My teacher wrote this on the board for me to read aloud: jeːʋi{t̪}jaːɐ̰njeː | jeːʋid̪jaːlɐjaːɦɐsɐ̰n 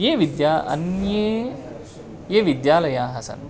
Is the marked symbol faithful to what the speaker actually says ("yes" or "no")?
no